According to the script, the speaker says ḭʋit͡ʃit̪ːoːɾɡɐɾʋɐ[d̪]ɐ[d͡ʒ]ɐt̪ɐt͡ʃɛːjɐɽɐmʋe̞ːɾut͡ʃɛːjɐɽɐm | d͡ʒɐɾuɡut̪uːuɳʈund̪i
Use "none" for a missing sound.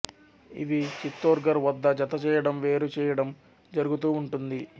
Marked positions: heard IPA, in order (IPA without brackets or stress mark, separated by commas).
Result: d̪ː, d͡ʒ